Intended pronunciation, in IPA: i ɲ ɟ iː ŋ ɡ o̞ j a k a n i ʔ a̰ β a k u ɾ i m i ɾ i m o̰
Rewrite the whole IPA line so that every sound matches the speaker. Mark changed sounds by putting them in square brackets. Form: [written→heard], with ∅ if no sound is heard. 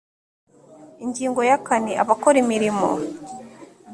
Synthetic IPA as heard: i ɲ ɟ iː ŋ ɡ o̞ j a k a n i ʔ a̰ β a k [u→o] ɾ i m i ɾ i m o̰

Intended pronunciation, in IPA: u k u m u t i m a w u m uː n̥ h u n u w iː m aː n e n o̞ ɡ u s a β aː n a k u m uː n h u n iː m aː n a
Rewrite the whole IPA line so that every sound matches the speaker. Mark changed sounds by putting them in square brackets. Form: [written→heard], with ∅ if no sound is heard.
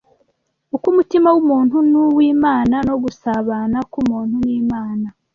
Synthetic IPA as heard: u k u m u t i m a w u m uː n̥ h u n u w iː m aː n [e→a] n o̞ ɡ u s a β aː n a k u m uː n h u n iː m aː n a

